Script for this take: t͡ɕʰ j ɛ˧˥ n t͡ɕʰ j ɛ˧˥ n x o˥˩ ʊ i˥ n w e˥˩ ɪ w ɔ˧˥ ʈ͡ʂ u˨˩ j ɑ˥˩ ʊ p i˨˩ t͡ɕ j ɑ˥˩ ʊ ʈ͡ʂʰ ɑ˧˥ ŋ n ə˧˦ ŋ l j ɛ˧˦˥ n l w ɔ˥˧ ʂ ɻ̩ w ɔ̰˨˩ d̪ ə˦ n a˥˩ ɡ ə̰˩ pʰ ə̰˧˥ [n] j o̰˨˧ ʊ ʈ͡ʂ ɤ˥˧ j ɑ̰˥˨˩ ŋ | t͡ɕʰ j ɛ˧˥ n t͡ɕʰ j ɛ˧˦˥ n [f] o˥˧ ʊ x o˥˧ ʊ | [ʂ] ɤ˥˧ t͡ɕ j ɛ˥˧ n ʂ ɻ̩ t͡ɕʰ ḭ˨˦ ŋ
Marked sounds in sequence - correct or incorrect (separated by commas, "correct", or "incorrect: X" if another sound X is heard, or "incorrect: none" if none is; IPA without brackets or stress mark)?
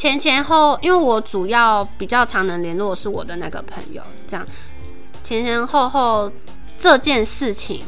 incorrect: ŋ, incorrect: x, incorrect: ʈ͡ʂ